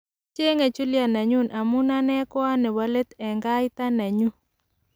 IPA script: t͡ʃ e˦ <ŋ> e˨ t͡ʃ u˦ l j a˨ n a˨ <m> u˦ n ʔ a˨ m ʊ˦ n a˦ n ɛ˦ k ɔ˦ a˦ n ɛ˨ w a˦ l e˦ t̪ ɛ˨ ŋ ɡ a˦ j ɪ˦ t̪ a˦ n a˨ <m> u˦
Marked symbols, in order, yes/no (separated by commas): yes, no, no